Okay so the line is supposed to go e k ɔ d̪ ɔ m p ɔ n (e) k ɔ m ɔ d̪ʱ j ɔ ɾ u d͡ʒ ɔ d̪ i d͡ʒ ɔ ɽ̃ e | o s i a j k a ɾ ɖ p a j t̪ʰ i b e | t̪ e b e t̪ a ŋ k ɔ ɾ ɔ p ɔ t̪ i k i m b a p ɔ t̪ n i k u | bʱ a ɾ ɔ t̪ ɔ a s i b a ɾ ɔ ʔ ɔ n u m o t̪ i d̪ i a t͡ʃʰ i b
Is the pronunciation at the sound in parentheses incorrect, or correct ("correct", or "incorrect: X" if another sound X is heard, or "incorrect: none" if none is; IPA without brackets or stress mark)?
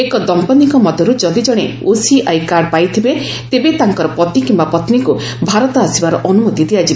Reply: incorrect: i